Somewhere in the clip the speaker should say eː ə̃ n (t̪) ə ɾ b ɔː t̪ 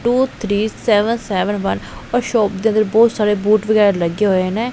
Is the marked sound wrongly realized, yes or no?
yes